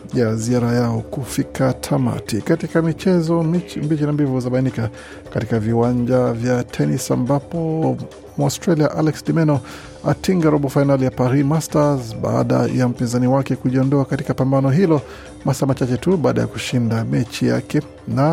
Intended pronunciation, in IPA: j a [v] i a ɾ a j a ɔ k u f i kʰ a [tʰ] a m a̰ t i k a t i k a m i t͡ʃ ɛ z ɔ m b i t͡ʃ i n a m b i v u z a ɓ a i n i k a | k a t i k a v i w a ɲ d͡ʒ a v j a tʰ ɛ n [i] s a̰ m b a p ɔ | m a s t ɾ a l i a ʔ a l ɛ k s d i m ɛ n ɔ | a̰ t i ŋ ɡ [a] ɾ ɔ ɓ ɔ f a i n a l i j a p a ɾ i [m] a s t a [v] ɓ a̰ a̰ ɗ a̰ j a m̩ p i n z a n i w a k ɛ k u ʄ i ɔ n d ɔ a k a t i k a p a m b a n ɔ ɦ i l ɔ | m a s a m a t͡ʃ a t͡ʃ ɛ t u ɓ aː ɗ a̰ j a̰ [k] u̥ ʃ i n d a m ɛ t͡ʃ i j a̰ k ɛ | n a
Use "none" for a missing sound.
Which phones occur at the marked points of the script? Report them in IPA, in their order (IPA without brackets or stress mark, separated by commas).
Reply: z, tʰ, i, a, m, z, k